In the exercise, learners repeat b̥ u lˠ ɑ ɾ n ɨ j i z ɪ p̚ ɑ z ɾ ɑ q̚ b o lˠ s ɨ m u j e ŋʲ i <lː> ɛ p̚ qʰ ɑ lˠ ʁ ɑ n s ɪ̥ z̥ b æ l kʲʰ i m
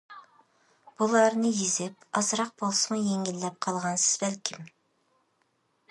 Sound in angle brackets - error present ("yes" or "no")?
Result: no